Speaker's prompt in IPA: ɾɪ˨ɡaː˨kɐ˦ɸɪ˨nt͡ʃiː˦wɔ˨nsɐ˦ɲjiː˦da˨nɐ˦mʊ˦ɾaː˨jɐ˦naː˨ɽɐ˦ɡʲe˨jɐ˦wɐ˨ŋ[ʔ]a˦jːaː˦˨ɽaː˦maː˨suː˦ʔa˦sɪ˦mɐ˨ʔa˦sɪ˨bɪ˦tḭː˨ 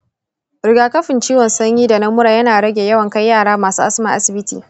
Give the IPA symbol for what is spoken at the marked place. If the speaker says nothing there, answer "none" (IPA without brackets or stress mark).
k